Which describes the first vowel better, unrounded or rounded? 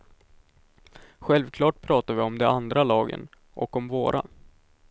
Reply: unrounded